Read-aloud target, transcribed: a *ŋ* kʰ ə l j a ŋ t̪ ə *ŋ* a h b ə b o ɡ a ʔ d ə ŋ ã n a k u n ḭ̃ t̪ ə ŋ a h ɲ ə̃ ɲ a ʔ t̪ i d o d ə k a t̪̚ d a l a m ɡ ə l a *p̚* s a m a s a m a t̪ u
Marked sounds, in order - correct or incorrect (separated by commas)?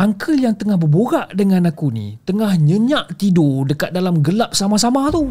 correct, correct, correct